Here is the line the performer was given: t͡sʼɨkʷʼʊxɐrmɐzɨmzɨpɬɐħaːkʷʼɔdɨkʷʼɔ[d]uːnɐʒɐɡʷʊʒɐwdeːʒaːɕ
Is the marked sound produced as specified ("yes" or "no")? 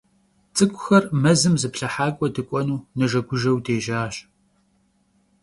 no